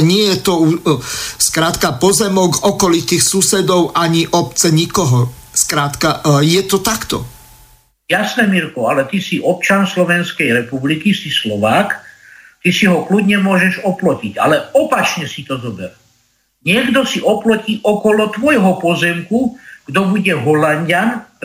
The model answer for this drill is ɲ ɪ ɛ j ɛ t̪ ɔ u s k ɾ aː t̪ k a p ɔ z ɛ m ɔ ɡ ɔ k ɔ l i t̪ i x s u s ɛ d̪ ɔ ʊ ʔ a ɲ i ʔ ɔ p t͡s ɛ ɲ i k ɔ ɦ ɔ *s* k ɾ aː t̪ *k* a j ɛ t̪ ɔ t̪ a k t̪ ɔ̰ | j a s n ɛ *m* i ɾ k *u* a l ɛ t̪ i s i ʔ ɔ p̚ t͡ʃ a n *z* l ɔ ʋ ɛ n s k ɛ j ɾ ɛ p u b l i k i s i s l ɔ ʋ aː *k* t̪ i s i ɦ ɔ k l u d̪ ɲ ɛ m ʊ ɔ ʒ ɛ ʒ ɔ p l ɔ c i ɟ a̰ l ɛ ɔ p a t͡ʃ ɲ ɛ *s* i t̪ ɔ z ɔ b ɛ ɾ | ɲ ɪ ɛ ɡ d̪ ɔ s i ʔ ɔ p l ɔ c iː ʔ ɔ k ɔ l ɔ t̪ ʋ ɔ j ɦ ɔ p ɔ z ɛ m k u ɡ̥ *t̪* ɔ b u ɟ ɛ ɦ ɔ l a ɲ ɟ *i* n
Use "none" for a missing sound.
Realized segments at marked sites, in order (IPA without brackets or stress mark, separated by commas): s, k, m, ɔ, s, k, s, d̪, a